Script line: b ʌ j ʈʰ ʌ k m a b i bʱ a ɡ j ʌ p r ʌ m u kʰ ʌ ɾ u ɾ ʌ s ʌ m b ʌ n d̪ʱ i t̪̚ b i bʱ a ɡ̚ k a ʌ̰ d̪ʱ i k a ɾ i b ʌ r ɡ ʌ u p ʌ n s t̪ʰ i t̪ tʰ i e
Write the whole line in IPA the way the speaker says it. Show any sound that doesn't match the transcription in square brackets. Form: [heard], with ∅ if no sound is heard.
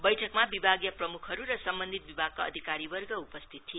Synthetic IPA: b ʌ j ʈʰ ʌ k m a b i bʱ a ɡ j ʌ p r ʌ m u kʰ ʌ ɾ u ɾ ʌ s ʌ m b ʌ n d̪ʱ i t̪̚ b i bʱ a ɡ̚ k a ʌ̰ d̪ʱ i k a ɾ i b ʌ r ɡ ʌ u p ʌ [∅] s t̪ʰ i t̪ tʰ i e

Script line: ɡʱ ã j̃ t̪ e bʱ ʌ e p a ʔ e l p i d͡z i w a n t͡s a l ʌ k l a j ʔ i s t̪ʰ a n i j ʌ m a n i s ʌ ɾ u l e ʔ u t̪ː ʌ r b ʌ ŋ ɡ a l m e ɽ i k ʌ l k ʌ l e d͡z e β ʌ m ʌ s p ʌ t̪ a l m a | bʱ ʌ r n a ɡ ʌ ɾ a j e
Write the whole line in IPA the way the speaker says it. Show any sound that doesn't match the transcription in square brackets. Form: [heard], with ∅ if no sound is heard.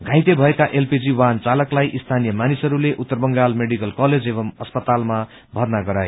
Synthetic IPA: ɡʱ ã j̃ t̪ e bʱ ʌ e [k] a ʔ e l p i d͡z i w a n t͡s a l ʌ k l a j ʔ i s t̪ʰ a n i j ʌ m a n i s ʌ ɾ u l e ʔ u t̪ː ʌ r b ʌ ŋ ɡ a l m e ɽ i k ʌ l k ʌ l e d͡z e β ʌ m ʌ s p ʌ t̪ a l m a | bʱ ʌ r n a ɡ ʌ ɾ a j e

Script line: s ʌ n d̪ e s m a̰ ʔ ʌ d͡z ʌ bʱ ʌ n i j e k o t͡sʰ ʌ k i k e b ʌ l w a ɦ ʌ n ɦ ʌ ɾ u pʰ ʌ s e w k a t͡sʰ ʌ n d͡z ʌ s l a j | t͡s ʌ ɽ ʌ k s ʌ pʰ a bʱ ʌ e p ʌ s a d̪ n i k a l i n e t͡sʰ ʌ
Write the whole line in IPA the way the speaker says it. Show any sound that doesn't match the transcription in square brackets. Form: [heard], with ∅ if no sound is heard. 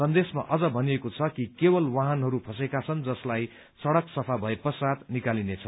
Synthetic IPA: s ʌ n d̪ e s m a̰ ʔ ʌ d͡z ʌ bʱ ʌ n i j e k o t͡sʰ ʌ k i k e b ʌ l w a ɦ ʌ n ɦ ʌ ɾ u pʰ ʌ s e [∅] k a t͡sʰ ʌ n d͡z ʌ s l a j | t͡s ʌ ɽ ʌ k s ʌ pʰ a bʱ ʌ e p ʌ s a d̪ n i k a l i n e t͡sʰ ʌ

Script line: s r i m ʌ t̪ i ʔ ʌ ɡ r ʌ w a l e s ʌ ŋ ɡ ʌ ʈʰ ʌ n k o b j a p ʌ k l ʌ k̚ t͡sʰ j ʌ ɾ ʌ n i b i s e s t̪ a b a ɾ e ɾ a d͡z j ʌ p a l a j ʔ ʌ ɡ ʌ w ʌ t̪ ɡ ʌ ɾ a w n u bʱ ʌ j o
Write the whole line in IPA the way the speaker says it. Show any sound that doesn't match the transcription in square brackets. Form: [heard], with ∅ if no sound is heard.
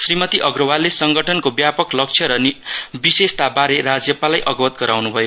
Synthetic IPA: s r i m ʌ t̪ i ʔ ʌ ɡ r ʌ w a l e s ʌ ŋ ɡ ʌ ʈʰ ʌ n k o b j a p ʌ k l ʌ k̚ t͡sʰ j ʌ ɾ ʌ n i b i s e s t̪ a b a ɾ e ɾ a d͡z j ʌ p a l a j ʔ ʌ ɡ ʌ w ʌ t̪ ɡ ʌ ɾ a w n u bʱ ʌ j o

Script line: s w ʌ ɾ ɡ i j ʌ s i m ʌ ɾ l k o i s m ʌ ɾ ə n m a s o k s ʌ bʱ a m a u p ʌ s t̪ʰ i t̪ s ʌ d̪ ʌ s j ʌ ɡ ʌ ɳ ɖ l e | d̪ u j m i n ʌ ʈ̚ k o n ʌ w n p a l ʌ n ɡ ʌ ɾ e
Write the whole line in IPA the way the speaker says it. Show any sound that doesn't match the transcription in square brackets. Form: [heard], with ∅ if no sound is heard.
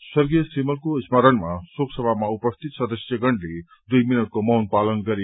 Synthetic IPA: s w ʌ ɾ ɡ i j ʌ s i m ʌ [∅] l k o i s m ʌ ɾ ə n m a s o k s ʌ bʱ a m a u p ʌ s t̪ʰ i t̪ s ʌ d̪ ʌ s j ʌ ɡ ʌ ɳ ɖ l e | d̪ u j m i n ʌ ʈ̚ k o [m] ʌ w n p a l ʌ n ɡ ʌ ɾ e

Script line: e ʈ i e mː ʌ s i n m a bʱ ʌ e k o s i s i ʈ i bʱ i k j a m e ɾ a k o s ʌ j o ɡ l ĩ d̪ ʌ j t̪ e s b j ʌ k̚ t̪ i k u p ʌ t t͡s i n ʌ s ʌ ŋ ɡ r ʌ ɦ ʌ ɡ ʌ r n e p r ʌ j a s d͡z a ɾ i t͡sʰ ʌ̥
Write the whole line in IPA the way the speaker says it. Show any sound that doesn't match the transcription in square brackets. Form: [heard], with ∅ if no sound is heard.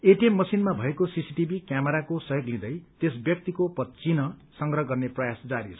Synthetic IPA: e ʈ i e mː ʌ s i n m a bʱ ʌ e k o s i s i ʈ i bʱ i k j a m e ɾ a k o s ʌ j o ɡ l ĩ d̪ ʌ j t̪ e s b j ʌ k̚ t̪ i k [o] p ʌ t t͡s i n ʌ s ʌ ŋ ɡ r ʌ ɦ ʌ ɡ ʌ r n e p r ʌ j a s d͡z a ɾ i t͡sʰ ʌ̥

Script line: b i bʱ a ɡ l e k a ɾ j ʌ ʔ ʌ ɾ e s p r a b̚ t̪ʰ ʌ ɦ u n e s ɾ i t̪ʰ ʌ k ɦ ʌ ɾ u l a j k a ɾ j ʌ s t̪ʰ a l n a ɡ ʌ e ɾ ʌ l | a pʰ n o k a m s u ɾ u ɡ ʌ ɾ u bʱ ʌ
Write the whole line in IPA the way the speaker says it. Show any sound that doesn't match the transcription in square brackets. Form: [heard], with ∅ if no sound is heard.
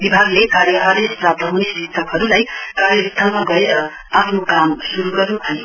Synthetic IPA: b i bʱ a ɡ l e k a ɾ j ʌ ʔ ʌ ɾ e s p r a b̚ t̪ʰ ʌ ɦ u n e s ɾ i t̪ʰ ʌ k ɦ ʌ ɾ u l a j k a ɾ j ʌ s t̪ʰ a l [m] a ɡ ʌ e ɾ ʌ [∅] | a pʰ n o k a m s u ɾ u ɡ ʌ ɾ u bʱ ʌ

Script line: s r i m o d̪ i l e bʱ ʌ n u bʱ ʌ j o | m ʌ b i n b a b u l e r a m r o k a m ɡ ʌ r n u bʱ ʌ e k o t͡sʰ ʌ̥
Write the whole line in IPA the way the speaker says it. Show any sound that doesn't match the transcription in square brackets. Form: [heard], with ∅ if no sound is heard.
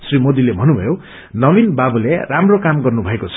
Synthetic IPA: s r i m o d̪ i l e bʱ ʌ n u bʱ ʌ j o | [n] ʌ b i n b a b u l e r a m r o k a m ɡ ʌ r n u bʱ ʌ e k o t͡sʰ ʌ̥

